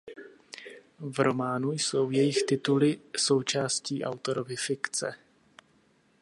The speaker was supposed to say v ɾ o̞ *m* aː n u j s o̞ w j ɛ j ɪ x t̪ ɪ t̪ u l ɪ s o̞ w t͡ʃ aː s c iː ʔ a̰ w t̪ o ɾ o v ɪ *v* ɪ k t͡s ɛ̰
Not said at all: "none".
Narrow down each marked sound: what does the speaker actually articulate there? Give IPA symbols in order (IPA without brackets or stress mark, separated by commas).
m, f